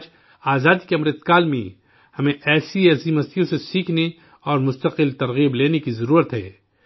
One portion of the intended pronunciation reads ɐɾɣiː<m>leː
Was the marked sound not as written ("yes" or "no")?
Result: yes